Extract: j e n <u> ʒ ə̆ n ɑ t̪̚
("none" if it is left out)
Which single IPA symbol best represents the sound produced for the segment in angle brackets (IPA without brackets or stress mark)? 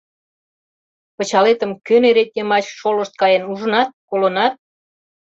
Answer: u